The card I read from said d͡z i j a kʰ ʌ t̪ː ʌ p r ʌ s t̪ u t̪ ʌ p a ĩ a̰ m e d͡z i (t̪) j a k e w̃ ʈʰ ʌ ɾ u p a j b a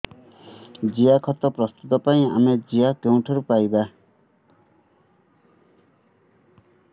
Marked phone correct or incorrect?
incorrect